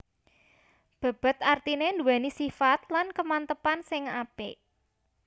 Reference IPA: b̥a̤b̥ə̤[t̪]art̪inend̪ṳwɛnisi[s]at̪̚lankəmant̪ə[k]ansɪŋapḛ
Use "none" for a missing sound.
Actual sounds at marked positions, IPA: t̪, f, p

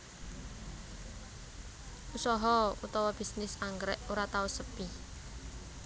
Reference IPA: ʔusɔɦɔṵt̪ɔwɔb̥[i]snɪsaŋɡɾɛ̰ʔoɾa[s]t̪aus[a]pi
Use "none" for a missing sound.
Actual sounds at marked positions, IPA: i, none, ə

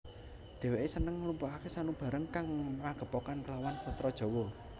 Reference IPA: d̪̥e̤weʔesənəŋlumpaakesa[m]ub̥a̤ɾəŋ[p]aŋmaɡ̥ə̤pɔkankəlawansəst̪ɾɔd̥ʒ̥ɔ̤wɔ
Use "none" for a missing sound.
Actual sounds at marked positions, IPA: n, k

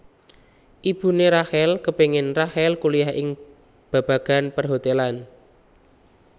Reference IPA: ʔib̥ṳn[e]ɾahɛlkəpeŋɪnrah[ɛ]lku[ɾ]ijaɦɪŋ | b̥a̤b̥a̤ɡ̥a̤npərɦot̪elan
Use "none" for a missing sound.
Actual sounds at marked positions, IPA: e, ɛ, l

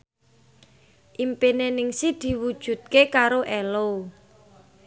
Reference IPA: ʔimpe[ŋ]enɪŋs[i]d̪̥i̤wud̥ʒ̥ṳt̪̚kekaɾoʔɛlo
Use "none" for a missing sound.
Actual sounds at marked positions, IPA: n, i

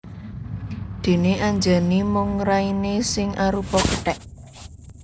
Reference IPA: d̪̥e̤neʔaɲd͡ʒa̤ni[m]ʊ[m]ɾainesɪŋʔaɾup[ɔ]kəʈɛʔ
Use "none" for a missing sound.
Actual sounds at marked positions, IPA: m, ŋ, ɔ

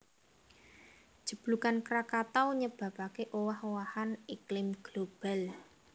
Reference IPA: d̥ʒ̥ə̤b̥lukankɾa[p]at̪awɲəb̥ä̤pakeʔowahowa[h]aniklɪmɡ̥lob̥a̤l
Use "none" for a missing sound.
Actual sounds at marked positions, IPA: k, h

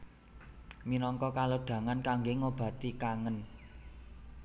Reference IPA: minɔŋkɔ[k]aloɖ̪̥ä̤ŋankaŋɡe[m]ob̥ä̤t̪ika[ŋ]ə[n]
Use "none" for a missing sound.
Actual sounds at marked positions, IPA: k, ŋ, ŋ, n

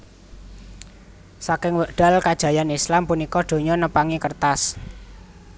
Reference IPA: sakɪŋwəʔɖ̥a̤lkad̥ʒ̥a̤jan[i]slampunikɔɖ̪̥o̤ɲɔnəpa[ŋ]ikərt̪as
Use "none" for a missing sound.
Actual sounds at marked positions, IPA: i, ŋ

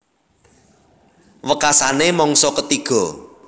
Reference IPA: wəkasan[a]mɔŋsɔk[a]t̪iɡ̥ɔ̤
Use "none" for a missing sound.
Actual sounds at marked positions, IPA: e, ə

